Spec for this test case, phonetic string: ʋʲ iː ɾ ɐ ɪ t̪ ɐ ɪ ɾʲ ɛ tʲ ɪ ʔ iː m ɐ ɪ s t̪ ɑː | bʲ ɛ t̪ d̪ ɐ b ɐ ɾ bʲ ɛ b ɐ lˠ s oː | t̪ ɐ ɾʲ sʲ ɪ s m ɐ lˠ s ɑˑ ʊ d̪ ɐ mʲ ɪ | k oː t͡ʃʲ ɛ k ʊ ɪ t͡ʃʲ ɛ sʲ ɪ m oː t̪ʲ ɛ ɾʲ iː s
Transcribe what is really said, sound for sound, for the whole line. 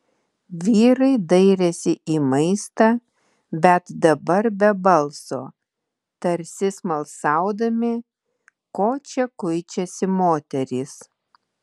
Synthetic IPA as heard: ʋʲ iː ɾ ɐ ɪ d̪ ɐ ɪ ɾʲ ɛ sʲ ɪ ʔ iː m ɐ ɪ s t̪ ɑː | bʲ ɛ t̪ d̪ ɐ b ɐ ɾ bʲ ɛ b ɐ lˠ s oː | t̪ ɐ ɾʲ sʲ ɪ s m ɐ lˠ s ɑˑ ʊ d̪ ɐ mʲ ɪ | k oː t͡ʃʲ ɛ k ʊ ɪ t͡ʃʲ ɛ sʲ ɪ m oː t̪ʲ ɛ ɾʲ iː s